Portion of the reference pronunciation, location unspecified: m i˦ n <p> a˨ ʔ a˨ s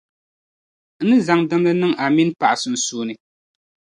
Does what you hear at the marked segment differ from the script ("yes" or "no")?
no